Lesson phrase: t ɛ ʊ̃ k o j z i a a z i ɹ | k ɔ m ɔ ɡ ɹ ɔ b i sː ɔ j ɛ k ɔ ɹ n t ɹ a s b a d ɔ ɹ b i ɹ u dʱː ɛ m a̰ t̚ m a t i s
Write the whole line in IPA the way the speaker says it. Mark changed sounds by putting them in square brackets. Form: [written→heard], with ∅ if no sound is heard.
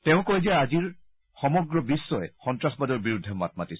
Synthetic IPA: t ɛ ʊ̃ k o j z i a a z i ɹ | [k→x] ɔ m ɔ ɡ ɹ ɔ b i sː ɔ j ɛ [k→x] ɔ [ɹ→∅] n t ɹ a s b a d ɔ ɹ b i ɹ u dʱː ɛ m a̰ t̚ m a t i s